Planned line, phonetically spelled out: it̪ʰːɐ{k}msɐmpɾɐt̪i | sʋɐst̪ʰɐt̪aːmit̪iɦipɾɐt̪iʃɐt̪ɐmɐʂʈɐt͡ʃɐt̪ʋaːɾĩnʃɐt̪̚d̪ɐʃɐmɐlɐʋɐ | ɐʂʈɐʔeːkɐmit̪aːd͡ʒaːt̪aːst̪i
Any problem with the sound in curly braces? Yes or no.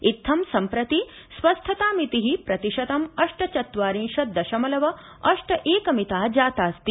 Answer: yes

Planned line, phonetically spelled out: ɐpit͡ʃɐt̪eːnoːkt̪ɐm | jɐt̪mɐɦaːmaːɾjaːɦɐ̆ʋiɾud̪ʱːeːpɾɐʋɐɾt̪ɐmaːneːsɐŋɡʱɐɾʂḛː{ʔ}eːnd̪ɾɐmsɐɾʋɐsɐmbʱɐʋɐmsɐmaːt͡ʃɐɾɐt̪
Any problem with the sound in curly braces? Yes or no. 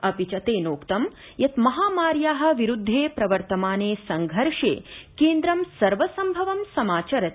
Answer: yes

